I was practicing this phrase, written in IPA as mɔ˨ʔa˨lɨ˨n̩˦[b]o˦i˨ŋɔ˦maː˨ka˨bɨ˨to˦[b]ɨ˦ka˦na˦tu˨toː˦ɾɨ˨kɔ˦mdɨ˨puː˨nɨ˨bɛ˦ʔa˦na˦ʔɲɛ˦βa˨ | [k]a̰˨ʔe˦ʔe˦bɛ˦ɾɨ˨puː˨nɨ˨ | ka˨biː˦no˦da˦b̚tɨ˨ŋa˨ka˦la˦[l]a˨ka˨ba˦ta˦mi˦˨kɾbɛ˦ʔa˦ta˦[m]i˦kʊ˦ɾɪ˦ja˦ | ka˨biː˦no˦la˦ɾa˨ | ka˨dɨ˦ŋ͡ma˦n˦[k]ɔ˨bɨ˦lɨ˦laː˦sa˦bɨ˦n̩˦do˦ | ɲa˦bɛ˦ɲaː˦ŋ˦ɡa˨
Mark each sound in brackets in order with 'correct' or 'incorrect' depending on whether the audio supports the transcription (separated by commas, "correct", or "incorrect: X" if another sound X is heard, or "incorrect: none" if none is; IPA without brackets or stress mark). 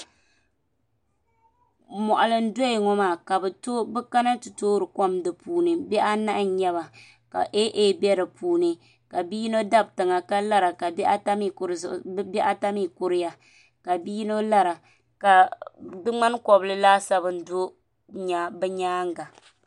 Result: incorrect: d, correct, correct, incorrect: ɾ, correct, correct